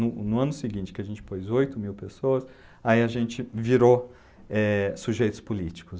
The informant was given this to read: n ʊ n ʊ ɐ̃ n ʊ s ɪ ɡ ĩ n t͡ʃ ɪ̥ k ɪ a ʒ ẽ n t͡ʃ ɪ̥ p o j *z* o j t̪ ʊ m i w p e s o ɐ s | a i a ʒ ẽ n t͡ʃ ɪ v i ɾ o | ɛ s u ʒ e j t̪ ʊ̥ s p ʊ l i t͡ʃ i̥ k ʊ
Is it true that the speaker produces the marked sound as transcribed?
yes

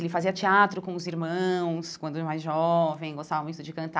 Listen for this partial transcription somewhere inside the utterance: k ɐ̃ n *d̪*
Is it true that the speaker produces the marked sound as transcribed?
no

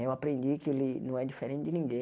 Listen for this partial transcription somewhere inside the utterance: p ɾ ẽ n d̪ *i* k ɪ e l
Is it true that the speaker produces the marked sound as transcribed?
yes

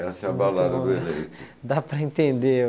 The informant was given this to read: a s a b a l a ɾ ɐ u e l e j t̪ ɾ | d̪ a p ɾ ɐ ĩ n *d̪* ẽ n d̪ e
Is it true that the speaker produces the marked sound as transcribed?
no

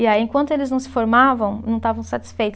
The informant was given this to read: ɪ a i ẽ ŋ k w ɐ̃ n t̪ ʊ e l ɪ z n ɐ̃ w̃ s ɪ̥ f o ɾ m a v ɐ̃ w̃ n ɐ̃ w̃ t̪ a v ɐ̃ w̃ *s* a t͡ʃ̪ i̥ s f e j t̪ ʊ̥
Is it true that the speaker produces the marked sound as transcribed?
yes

